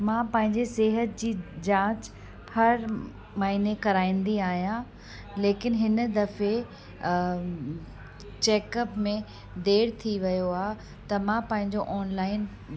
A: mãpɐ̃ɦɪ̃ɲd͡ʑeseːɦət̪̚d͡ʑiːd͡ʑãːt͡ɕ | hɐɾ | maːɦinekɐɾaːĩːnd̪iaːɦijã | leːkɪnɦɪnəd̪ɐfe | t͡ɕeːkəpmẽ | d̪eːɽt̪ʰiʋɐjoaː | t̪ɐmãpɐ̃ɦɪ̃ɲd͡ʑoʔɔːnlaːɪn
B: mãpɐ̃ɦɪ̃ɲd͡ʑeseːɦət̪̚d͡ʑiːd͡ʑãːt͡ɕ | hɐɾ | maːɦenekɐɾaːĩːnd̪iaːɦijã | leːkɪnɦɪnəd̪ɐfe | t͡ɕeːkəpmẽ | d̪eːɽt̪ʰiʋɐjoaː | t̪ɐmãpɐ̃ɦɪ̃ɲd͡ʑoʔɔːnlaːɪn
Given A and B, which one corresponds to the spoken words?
A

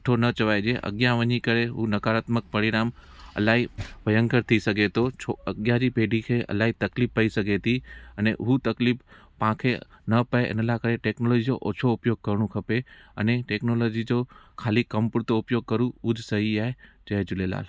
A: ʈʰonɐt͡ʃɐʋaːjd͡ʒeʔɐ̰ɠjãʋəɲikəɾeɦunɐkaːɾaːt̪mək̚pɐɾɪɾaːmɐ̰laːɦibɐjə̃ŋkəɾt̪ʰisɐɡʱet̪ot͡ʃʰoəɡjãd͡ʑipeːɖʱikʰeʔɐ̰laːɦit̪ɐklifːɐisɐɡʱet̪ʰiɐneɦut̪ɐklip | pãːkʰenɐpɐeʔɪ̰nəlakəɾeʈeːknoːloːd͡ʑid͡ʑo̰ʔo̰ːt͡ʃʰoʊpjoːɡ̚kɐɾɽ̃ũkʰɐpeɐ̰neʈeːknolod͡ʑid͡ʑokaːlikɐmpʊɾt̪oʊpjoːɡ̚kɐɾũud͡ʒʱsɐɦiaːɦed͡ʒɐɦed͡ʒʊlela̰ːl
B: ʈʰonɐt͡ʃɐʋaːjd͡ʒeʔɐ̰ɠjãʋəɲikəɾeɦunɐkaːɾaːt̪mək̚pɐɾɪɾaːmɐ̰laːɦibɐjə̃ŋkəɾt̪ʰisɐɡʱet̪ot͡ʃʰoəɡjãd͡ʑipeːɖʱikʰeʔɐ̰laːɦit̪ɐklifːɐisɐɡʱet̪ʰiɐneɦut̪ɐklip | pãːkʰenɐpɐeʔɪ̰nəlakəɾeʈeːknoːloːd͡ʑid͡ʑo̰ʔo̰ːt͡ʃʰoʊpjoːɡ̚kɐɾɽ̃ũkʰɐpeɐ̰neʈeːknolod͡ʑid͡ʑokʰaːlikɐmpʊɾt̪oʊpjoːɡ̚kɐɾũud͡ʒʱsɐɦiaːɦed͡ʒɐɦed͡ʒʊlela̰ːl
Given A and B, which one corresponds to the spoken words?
B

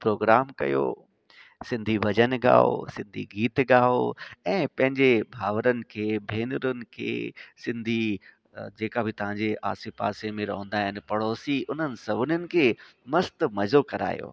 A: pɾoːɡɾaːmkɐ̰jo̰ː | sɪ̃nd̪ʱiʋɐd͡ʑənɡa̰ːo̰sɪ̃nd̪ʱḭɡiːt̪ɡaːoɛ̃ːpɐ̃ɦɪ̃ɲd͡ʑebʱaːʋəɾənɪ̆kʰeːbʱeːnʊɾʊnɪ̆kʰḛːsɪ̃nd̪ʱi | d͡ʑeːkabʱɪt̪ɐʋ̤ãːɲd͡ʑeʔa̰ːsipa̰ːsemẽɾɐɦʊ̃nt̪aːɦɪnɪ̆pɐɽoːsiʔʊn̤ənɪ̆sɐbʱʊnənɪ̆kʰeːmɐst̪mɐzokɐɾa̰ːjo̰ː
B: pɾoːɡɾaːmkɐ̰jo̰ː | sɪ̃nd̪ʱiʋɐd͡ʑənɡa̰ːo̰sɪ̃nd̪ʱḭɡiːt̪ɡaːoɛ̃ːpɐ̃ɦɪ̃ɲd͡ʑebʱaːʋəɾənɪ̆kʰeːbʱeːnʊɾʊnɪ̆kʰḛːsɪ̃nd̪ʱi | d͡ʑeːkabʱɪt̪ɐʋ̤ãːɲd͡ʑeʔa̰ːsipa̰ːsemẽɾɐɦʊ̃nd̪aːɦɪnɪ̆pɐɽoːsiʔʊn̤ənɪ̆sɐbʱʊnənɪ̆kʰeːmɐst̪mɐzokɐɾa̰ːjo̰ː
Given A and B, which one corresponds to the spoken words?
B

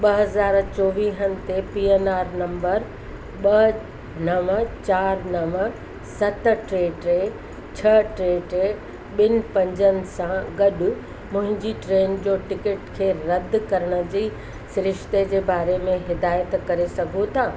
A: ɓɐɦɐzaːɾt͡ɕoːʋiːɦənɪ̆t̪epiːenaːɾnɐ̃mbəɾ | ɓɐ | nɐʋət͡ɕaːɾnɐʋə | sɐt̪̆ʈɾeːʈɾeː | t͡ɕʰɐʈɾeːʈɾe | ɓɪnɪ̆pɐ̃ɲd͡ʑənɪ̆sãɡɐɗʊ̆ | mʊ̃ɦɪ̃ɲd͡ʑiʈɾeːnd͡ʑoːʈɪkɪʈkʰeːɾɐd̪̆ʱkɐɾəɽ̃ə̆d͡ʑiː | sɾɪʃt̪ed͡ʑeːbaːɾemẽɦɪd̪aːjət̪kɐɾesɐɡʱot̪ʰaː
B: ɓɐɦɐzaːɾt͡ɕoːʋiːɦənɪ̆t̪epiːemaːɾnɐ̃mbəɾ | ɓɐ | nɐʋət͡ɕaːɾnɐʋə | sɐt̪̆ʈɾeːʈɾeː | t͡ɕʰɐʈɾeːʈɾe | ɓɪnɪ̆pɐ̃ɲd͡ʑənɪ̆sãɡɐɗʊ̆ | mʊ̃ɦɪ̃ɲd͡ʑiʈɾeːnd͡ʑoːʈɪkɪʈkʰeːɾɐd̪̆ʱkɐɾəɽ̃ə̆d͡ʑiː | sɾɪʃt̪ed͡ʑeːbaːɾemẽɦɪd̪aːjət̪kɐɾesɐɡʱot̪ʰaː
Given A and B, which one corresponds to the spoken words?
A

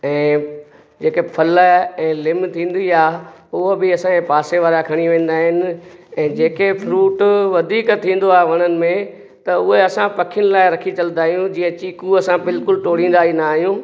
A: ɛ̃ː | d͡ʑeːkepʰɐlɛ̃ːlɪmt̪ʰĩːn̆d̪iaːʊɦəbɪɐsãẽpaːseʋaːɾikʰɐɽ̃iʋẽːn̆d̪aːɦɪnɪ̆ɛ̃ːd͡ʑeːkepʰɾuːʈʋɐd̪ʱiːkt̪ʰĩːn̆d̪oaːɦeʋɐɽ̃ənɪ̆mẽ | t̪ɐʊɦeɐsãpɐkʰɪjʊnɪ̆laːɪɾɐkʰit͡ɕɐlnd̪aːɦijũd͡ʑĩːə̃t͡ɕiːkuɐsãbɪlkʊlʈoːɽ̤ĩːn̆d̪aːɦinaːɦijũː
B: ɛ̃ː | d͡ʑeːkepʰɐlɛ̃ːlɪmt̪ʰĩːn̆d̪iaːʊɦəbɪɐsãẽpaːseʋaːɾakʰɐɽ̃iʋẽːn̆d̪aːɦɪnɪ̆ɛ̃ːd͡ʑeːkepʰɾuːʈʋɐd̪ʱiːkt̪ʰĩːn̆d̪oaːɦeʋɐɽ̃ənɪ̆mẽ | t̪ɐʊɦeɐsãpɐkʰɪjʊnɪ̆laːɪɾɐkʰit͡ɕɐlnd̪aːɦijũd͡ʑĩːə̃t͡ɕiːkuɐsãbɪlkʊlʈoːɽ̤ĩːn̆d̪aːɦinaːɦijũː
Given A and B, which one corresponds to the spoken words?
B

